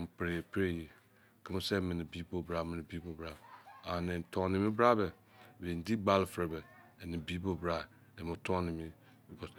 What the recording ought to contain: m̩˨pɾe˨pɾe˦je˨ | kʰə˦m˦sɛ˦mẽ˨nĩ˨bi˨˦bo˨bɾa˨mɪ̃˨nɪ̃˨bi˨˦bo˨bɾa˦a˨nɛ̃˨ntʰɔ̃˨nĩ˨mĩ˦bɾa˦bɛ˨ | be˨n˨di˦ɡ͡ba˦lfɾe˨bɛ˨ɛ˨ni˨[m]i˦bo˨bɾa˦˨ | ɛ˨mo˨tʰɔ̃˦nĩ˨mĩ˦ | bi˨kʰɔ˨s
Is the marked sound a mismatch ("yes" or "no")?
yes